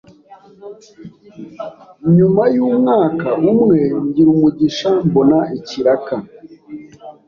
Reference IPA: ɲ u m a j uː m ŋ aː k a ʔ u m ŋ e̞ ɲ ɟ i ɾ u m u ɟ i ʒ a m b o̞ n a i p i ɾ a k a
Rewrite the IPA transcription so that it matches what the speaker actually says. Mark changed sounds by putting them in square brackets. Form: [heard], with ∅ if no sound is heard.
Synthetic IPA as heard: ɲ u m a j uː m ŋ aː k a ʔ u m ŋ e̞ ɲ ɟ i ɾ u m u ɟ i [ʃ] a m b o̞ n a i [c] i ɾ a k a